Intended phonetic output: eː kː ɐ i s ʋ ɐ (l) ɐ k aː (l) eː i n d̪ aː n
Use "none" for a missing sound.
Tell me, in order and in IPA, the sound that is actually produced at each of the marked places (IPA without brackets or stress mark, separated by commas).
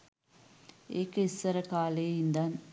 ɾ, l